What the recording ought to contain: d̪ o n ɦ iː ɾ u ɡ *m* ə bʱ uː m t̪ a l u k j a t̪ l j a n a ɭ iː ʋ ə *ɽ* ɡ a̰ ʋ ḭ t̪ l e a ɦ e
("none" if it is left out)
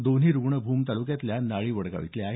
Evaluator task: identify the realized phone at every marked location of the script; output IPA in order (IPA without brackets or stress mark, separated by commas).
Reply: ɳ, ɽ